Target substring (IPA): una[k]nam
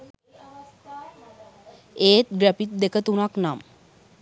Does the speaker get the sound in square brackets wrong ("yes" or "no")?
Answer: no